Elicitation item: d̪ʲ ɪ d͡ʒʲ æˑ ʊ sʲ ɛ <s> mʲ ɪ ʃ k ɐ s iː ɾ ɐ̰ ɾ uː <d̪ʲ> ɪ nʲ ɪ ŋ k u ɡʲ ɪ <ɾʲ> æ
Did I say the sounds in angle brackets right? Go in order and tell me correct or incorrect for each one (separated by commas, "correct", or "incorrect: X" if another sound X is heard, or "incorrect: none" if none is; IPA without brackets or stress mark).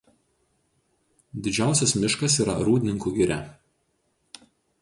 correct, correct, correct